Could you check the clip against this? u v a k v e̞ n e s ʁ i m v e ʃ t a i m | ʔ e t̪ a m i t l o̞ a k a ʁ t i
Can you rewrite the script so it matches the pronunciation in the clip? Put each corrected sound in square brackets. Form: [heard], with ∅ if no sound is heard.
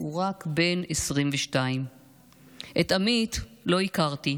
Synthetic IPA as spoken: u [ʁ] a k [b] e̞ n e s ʁ i m v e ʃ t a i m | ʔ e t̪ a m i t l o̞ [i] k a ʁ t i